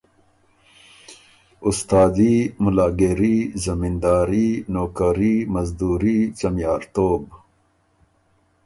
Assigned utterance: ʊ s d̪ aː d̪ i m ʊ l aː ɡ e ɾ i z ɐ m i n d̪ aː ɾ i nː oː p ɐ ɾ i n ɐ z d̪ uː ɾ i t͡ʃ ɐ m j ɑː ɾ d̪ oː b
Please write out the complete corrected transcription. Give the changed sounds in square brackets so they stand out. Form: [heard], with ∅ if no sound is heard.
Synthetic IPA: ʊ s [t̪] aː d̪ i m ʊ l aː ɡ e ɾ i z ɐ m i n d̪ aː ɾ i [n] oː [k] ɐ ɾ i [m] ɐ z d̪ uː ɾ i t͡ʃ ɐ m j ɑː ɾ [t̪] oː b